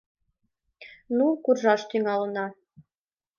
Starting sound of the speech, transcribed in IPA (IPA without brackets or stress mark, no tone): n